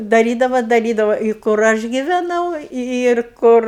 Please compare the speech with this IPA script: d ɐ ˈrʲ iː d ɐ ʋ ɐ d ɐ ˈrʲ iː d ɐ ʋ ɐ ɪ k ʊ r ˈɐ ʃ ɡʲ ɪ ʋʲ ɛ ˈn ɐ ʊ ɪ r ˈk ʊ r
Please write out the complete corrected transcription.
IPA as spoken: d ɐ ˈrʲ iː d ɐ ʋ ɐ d ɐ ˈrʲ iː d ɐ ʋ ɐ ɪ k ʊ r ˈɐ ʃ ɡʲ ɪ ʋʲ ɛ ˈn ɐ ʊ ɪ r ˈk ʊ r